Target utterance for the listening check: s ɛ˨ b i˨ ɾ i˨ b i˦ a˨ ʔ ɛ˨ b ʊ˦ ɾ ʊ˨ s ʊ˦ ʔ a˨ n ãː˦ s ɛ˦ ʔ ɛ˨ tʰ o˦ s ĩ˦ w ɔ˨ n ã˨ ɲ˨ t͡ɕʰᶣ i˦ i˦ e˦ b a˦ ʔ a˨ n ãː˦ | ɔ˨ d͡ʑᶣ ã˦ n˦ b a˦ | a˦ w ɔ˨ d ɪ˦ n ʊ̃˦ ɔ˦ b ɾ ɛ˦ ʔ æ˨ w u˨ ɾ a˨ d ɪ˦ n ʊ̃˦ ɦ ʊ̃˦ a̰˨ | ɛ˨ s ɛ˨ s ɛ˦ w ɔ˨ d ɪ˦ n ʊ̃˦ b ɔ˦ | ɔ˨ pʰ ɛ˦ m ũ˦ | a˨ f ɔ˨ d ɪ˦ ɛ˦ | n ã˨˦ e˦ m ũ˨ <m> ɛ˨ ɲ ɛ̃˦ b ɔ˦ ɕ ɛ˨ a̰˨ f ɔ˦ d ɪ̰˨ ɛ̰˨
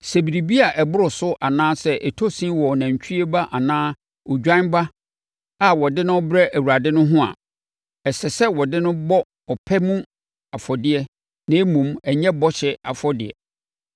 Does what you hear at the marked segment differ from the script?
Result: no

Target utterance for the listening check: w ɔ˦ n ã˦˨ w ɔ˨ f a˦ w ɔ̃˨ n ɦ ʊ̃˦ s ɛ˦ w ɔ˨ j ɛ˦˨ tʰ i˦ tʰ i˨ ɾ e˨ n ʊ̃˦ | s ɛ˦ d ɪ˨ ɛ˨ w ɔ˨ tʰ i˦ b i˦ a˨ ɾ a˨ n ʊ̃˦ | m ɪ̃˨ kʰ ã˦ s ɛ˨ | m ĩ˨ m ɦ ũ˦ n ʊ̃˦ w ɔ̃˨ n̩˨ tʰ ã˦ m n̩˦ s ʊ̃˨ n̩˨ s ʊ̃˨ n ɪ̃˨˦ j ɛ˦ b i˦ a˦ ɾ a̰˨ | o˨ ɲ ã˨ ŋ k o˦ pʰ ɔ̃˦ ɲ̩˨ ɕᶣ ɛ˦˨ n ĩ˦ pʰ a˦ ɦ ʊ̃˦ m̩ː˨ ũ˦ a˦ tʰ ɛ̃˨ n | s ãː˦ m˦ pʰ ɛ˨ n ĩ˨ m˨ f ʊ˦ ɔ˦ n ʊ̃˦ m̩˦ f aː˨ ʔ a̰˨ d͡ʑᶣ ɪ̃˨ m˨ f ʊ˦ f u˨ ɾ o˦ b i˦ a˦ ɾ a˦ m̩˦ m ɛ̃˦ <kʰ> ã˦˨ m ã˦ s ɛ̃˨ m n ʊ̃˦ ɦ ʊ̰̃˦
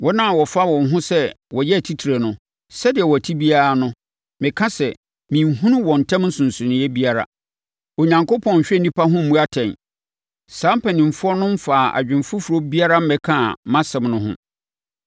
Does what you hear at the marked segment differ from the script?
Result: no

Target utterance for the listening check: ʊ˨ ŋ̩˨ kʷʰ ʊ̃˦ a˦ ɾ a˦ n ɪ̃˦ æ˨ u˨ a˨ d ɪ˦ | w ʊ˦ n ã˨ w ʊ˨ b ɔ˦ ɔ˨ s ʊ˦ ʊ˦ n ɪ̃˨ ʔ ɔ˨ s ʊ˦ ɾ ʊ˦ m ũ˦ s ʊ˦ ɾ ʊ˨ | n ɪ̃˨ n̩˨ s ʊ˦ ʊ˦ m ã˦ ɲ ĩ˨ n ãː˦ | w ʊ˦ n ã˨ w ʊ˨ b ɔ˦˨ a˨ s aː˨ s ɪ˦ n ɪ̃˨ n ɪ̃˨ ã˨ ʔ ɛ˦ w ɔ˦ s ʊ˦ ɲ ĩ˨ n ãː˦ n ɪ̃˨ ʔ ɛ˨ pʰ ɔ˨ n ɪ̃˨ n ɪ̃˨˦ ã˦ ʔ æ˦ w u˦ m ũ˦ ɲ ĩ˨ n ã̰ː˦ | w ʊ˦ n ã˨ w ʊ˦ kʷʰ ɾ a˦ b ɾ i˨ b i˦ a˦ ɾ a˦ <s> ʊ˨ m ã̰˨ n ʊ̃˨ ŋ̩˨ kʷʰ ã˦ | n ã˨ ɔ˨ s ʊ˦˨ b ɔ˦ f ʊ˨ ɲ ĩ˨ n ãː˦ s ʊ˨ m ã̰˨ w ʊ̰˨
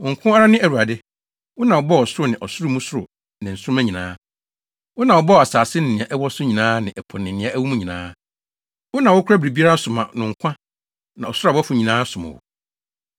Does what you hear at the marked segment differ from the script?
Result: no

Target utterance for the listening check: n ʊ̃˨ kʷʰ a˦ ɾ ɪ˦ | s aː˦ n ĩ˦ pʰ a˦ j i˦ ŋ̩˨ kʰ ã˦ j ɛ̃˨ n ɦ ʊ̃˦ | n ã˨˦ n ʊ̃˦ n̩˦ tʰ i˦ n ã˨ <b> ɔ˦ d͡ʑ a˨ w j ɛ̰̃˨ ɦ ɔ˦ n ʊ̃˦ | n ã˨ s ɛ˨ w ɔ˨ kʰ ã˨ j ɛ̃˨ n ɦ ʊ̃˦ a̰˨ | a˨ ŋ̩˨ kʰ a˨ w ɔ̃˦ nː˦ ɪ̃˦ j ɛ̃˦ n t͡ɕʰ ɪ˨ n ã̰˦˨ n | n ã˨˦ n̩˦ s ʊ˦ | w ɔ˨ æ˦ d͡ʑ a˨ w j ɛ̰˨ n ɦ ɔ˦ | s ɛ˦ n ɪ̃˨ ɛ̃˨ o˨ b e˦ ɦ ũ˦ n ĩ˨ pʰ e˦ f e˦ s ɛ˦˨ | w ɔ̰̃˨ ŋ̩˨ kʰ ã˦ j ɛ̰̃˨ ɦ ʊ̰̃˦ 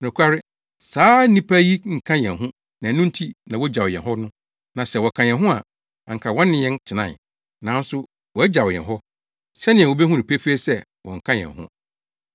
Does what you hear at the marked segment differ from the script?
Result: yes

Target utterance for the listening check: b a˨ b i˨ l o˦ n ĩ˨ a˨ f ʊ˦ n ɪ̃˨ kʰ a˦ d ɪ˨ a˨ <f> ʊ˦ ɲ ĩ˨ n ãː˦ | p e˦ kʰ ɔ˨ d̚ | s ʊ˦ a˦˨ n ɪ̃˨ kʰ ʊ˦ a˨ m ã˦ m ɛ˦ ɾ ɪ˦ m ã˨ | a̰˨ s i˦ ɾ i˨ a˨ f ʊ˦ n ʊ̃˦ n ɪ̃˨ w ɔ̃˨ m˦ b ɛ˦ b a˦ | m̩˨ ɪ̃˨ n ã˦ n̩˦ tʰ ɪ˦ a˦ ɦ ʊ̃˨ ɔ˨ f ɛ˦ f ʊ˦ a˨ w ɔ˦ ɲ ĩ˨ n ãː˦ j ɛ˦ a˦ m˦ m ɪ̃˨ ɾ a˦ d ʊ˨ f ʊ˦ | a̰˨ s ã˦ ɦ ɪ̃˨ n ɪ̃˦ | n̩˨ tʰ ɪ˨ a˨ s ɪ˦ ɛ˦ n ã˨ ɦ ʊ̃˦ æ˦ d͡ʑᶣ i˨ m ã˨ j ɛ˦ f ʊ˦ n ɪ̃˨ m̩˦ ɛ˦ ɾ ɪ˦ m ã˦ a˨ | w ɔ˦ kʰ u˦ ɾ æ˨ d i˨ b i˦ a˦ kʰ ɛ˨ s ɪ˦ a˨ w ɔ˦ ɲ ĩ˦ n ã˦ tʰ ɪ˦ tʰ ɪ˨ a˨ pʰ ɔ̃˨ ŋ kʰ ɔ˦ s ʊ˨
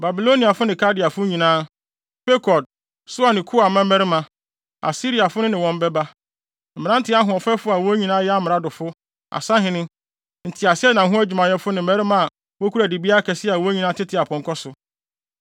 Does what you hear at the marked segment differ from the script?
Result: no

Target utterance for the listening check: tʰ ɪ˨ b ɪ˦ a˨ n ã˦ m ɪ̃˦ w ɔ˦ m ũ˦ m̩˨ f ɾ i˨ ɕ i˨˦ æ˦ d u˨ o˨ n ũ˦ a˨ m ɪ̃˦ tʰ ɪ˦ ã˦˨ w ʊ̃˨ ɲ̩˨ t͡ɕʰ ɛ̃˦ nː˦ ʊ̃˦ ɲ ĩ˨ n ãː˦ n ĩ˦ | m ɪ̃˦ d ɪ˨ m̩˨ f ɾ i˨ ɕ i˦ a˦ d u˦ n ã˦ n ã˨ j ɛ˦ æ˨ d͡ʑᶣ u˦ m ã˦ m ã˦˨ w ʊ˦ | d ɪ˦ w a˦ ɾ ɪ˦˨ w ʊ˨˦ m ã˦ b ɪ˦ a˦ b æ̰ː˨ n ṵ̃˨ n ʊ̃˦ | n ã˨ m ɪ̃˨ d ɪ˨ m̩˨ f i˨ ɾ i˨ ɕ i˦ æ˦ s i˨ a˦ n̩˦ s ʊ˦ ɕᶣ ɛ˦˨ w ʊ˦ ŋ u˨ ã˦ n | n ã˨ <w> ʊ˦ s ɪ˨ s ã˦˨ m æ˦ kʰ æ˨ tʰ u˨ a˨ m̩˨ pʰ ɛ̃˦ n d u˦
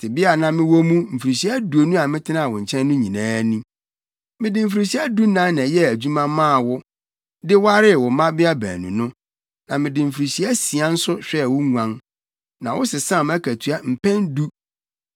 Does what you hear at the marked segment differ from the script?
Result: no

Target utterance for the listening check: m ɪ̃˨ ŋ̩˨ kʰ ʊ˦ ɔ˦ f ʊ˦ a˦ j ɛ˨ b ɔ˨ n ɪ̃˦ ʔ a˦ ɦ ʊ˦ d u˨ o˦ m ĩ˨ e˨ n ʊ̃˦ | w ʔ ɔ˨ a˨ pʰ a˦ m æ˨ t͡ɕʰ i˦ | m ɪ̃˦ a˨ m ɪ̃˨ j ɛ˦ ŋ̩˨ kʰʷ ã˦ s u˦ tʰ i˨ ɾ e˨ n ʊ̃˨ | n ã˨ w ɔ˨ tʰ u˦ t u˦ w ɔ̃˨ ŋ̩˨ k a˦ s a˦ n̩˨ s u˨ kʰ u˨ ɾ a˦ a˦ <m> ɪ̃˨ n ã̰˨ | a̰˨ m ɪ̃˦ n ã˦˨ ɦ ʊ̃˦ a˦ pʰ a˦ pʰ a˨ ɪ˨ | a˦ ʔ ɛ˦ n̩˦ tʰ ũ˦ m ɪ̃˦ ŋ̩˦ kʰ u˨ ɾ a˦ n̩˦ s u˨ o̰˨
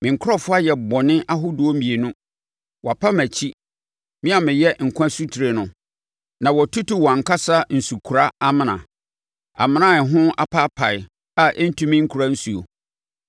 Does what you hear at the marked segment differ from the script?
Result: no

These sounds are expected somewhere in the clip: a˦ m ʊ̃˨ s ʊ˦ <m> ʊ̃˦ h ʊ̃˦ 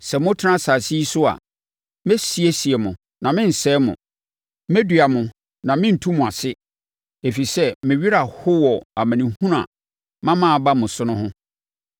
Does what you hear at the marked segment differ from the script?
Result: yes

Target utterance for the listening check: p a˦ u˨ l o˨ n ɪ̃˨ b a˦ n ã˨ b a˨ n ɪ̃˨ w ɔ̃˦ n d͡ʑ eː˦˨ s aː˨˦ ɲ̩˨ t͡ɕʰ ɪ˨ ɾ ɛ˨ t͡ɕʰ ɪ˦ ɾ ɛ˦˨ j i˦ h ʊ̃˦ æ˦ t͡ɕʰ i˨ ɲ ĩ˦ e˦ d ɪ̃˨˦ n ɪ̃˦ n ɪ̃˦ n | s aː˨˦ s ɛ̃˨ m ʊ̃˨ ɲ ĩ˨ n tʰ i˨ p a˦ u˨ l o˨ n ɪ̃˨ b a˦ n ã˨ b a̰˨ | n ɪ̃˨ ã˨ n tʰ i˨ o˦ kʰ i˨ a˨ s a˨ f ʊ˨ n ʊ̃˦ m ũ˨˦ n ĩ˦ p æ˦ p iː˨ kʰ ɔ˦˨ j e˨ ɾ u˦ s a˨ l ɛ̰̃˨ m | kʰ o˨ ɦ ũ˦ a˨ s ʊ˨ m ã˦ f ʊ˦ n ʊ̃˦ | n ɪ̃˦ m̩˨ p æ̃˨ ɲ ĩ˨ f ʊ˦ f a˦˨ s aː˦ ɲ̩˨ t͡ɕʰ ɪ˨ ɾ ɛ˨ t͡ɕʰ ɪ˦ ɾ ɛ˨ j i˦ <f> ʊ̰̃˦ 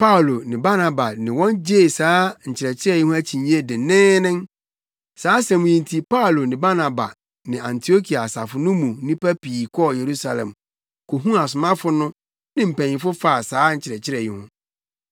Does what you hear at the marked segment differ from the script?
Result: yes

